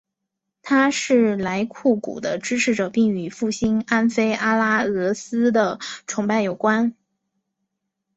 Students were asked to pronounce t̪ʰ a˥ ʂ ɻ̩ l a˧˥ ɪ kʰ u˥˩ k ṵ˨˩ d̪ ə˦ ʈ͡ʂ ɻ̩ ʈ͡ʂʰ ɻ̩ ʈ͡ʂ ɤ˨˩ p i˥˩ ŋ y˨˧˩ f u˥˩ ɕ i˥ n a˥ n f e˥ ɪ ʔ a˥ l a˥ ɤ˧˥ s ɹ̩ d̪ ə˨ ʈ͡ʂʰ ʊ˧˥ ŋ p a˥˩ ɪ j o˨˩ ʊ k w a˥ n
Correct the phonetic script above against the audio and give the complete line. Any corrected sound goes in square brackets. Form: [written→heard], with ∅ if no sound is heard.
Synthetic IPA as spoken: t̪ʰ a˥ ʂ ɻ̩ l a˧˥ ɪ kʰ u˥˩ k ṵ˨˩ d̪ ə˦ ʈ͡ʂ ɻ̩ ʈ͡ʂʰ ɻ̩ ʈ͡ʂ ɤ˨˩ p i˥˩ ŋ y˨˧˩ f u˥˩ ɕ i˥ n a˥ n f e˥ ɪ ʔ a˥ l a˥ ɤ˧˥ s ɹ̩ d̪ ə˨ ʈ͡ʂʰ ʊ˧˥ ŋ p a˥˩ ɪ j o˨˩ ʊ k w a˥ n